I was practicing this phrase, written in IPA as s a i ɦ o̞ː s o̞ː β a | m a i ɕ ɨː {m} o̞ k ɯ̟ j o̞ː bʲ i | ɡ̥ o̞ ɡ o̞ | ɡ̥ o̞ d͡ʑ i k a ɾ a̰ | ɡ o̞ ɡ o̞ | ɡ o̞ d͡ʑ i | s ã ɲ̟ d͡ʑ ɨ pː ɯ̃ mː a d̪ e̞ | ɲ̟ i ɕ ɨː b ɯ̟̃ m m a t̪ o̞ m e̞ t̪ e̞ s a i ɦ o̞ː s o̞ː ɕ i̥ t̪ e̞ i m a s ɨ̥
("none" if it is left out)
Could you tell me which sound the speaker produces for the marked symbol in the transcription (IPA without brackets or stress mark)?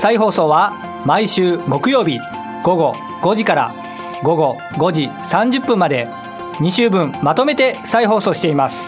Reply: m